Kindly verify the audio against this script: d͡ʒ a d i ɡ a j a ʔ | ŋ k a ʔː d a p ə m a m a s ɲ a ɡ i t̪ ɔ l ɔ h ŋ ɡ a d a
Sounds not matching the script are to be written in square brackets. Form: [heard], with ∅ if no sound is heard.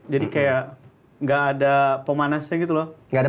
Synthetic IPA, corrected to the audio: d͡ʒ a d i [k] a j a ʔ | ŋ [ɡ] a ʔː d a p ə m a [n] a s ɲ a ɡ i t̪ [u] l ɔ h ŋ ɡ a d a